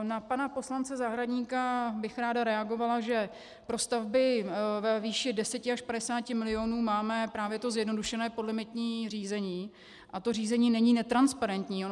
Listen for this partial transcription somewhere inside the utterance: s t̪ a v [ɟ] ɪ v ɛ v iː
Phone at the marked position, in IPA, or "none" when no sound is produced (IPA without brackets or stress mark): b